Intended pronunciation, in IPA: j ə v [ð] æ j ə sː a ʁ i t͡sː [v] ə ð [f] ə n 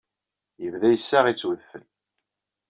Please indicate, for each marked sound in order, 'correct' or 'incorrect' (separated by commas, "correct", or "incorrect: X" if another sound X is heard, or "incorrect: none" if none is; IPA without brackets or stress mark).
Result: correct, incorrect: w, correct